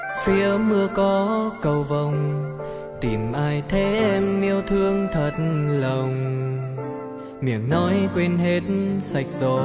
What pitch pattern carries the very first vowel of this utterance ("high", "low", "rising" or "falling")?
rising